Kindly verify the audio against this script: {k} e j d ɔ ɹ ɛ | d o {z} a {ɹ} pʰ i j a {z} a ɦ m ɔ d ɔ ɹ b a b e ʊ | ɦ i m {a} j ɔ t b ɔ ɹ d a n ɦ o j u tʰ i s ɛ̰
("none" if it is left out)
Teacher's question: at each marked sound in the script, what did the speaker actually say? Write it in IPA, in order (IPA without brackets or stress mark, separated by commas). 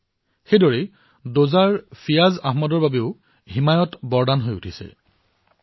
x, z, ɹ, z, a